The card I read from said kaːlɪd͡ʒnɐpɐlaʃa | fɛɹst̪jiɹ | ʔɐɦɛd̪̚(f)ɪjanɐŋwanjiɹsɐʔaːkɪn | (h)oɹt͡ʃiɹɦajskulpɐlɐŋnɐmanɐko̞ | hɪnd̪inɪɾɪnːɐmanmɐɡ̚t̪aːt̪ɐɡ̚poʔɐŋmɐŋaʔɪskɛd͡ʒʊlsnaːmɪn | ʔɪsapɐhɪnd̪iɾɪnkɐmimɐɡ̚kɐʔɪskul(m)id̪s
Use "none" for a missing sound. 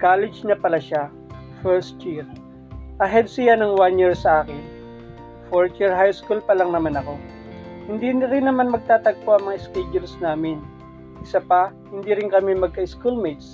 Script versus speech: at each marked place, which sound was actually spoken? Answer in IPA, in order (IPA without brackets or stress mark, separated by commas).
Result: s, f, m